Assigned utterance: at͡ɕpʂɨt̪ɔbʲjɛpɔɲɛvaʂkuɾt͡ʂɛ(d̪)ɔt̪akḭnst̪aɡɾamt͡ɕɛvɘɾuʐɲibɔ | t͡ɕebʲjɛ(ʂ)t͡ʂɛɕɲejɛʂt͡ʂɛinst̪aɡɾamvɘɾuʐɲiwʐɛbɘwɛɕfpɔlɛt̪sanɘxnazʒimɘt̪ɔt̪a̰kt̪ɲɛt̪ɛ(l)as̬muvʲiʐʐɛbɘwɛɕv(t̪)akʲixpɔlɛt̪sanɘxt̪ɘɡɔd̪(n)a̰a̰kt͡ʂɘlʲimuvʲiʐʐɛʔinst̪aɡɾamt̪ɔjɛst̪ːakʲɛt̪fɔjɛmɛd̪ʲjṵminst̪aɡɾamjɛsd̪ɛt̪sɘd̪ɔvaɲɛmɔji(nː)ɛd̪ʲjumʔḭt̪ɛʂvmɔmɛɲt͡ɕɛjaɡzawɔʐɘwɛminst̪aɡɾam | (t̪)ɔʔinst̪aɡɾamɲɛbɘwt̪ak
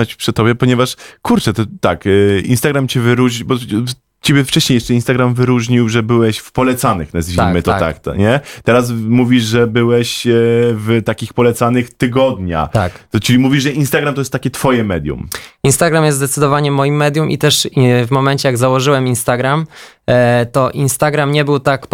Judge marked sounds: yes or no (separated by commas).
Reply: no, no, no, yes, no, no, yes